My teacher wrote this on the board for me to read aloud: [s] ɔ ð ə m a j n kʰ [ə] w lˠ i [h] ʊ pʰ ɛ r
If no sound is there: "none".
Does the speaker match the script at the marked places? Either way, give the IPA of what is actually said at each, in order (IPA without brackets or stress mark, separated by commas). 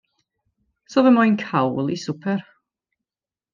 s, a, s